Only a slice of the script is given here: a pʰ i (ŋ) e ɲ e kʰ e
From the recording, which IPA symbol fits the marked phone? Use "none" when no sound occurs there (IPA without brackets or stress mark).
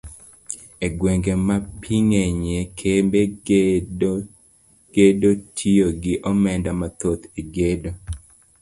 ŋ